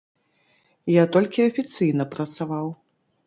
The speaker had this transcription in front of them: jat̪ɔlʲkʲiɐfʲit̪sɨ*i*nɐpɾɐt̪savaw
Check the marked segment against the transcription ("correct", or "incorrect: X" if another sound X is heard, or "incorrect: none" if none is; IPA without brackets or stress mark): incorrect: j